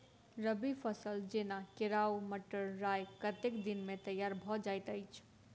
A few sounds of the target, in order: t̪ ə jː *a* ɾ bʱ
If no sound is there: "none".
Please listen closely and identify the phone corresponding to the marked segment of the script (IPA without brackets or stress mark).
a